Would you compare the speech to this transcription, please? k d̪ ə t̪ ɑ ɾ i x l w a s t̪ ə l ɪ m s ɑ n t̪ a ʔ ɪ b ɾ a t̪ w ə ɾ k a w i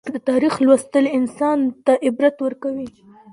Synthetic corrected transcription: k d̪ ə t̪ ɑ ɾ i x l w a s t̪ ə l ɪ n s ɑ n t̪ a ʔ ɪ b ɾ a t̪ w ə ɾ k a w i